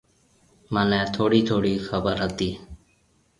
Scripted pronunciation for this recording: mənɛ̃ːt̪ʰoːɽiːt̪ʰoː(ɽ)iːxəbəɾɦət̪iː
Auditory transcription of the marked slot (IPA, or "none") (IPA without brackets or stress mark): ɽ